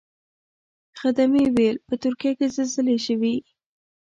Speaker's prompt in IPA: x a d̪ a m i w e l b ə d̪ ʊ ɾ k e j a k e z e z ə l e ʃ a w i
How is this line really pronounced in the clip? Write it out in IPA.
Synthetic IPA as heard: x a d̪ a m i w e l p ə t̪ ʊ ɾ k i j a k e z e z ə l e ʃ ə w i